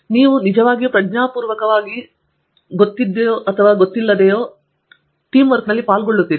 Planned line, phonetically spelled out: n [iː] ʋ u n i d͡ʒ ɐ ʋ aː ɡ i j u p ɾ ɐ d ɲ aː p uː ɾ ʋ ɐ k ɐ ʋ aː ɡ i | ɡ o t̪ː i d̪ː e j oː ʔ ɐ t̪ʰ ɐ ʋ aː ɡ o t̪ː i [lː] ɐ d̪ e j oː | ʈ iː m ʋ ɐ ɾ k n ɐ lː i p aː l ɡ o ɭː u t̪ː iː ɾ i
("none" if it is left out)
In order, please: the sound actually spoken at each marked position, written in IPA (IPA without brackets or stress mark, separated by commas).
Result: iː, lː